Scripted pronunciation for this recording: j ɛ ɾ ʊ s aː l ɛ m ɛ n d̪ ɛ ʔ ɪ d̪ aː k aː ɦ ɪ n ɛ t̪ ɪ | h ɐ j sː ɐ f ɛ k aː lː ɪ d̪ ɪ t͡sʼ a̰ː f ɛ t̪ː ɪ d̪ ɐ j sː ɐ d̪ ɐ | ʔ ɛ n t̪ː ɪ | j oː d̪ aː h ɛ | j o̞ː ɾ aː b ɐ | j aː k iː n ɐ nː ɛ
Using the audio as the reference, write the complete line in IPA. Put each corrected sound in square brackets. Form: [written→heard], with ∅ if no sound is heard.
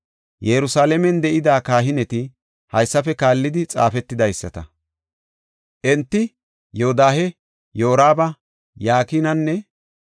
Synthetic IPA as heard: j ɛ ɾ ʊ s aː l ɛ m ɛ n d̪ ɛ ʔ ɪ d̪ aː k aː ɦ ɪ n ɛ t̪ ɪ | h ɐ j sː ɐ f ɛ k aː lː ɪ d̪ ɪ t͡sʼ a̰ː f ɛ t̪ː ɪ d̪ ɐ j sː ɐ [d̪→t̪] ɐ | ʔ ɛ n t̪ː ɪ | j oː d̪ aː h ɛ | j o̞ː ɾ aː b ɐ | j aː k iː n ɐ nː ɛ